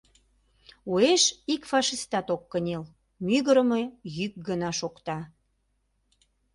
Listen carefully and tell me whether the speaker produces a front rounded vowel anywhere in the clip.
yes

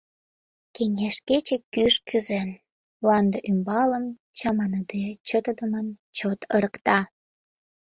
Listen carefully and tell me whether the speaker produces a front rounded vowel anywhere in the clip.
yes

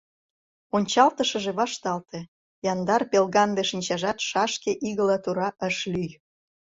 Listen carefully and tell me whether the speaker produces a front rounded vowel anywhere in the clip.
yes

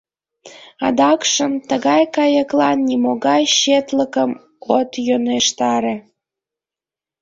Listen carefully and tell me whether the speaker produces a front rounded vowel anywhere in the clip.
no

